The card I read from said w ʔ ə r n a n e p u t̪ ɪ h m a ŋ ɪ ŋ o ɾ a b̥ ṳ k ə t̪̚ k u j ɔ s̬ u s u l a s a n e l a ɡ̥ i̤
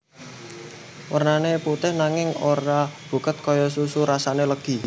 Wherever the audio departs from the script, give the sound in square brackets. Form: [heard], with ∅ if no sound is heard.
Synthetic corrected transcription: w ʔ ə r n a n e p u t̪ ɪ h [n] a ŋ ɪ ŋ o ɾ a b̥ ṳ k ə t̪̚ k [ɔ] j ɔ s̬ u s u [ɾ] a s a n e l [ə] ɡ̥ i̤

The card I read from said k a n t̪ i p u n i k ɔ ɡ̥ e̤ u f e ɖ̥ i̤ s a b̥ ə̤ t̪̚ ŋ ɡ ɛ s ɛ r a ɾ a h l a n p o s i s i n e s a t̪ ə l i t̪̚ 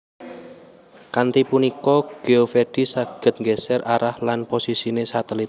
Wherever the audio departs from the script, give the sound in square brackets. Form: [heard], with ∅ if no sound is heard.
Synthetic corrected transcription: k a n t̪ i p u n i k ɔ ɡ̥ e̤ [o] f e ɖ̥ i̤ s a [ɡ̥] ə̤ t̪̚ ŋ ɡ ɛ s ɛ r a ɾ a h l a n p o s i s i n e s a t̪ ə l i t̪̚

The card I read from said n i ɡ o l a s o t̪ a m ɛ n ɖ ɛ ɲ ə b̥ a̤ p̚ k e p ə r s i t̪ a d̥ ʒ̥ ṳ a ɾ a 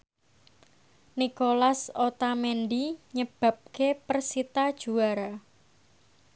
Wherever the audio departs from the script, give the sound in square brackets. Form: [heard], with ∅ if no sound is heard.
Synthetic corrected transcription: n i [k] o l a s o t̪ a m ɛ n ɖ [i] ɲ ə b̥ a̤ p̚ k e p ə r s i t̪ a d̥ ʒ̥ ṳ a ɾ a

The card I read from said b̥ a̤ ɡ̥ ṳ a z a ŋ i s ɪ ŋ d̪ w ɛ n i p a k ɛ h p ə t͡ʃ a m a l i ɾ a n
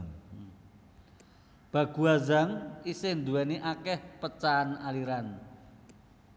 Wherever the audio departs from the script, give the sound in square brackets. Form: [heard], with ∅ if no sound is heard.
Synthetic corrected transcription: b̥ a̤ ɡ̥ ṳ a z a ŋ i s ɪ [n] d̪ [u] ɛ n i [ʔ] a k ɛ h p ə t͡ʃ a [n] a l i ɾ a n

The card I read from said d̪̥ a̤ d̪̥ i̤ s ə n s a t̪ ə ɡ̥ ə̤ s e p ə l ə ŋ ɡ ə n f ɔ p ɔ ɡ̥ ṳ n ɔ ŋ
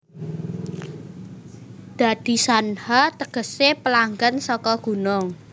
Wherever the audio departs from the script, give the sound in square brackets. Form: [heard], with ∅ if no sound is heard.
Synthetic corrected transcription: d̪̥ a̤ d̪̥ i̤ s [a] n [h] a t̪ ə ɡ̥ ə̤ s e p ə l [a] ŋ ɡ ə n [s] ɔ [k] ɔ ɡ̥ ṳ n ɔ ŋ

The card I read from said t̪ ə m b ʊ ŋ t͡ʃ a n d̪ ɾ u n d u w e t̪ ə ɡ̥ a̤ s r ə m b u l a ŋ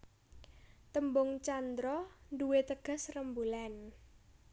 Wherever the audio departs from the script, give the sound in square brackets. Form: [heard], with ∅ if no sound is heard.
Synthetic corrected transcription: t̪ ə m b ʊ ŋ t͡ʃ a n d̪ ɾ [ɔ] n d u w e t̪ ə ɡ̥ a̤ s r ə m b u l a [n]

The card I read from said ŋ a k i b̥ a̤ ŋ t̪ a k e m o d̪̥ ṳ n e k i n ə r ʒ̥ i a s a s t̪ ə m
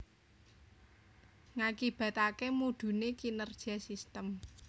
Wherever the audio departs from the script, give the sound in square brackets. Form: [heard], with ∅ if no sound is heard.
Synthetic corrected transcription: ŋ a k i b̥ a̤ [∅] t̪ a k e m [u] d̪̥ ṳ n e k i n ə r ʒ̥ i a s [i] s t̪ ə m

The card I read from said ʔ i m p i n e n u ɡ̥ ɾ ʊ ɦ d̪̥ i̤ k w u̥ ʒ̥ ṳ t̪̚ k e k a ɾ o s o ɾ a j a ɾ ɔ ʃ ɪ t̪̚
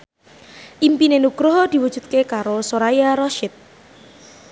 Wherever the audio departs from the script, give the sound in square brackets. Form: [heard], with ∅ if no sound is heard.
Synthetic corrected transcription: ʔ i m p i n e n u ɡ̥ ɾ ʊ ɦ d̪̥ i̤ [∅] w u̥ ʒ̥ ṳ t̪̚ k e k a ɾ o s o ɾ a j a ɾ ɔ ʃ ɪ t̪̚

